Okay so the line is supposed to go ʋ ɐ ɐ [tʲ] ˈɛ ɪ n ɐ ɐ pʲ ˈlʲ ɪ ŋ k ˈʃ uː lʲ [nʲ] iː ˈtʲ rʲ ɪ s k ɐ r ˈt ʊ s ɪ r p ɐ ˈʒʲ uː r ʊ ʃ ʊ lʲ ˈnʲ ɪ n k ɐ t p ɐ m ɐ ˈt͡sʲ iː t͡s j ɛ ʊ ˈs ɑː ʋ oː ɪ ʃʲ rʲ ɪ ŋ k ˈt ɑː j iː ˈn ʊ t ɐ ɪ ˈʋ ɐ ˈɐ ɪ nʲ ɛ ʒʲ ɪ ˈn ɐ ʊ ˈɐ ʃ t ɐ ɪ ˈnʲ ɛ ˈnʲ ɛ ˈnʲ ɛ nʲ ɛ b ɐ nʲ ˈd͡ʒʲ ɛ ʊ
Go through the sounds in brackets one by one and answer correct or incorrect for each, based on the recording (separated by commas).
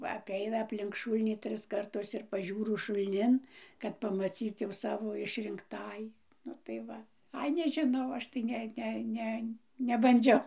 incorrect, correct